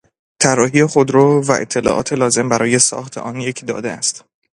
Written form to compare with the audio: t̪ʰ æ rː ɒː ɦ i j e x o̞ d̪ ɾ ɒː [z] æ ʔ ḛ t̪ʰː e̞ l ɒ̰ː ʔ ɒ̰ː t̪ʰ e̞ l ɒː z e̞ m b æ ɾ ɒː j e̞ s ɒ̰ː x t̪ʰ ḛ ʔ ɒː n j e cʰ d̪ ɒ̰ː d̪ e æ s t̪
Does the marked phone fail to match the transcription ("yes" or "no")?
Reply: yes